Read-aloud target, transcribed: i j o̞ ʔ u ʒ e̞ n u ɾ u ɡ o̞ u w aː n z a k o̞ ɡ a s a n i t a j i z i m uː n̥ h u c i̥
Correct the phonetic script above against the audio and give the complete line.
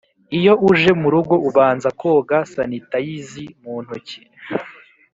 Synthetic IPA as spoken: i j o̞ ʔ u ʒ e̞ m u ɾ u ɡ o̞ u β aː n z a k o̞ ɡ a s a n i t a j i z i m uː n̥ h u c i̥